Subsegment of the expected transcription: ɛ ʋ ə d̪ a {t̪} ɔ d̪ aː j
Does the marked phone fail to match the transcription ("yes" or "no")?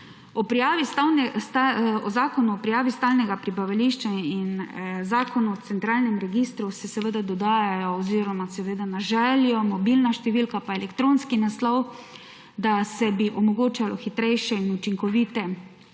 yes